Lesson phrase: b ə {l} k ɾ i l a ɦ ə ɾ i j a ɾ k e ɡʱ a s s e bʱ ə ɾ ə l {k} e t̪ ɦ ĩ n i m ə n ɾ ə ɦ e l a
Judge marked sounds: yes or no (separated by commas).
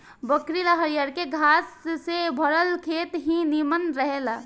no, no